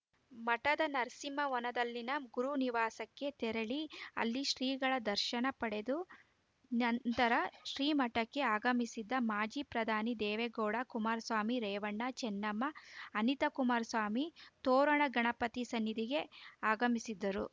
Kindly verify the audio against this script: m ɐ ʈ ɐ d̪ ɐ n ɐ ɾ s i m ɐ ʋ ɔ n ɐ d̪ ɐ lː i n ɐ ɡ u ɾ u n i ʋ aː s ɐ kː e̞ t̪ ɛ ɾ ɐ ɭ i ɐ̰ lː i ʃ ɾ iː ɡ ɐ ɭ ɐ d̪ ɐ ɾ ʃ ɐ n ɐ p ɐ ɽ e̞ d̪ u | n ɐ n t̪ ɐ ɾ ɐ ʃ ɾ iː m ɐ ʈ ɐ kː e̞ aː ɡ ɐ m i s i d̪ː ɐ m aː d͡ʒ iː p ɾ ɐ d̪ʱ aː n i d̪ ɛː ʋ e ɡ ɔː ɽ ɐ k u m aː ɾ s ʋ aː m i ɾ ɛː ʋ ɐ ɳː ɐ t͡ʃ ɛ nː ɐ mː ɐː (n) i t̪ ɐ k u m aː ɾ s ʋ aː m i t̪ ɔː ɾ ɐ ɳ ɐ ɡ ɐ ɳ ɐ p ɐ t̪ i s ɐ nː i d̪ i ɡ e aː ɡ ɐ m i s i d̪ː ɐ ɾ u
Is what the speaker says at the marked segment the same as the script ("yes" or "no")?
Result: yes